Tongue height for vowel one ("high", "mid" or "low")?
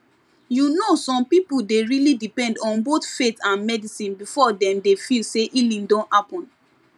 high